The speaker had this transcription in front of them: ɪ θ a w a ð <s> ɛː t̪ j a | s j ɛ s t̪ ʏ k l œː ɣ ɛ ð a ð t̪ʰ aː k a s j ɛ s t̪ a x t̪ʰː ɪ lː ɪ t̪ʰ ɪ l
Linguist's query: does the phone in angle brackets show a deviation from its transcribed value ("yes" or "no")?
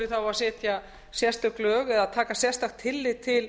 no